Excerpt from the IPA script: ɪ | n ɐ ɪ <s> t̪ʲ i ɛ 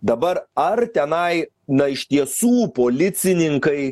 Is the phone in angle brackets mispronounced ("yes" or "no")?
yes